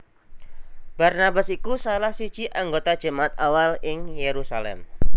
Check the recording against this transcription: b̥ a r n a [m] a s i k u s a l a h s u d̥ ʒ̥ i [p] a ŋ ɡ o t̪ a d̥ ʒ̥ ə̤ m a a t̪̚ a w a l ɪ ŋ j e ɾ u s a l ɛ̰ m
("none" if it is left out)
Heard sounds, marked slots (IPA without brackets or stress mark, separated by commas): b, ʔ